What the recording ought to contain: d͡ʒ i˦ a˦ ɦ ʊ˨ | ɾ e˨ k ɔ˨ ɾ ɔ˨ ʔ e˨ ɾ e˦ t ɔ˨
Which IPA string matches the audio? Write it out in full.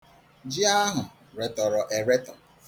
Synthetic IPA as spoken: d͡ʒ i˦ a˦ ɦ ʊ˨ | ɾ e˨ t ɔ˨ ɾ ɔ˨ ʔ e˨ ɾ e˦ t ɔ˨